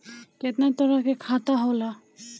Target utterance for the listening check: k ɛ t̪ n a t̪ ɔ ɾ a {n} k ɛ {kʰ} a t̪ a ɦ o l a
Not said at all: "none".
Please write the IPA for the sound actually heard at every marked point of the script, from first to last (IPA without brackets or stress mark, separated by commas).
none, kʰ